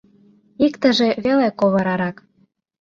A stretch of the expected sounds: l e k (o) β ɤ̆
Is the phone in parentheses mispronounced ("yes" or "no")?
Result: no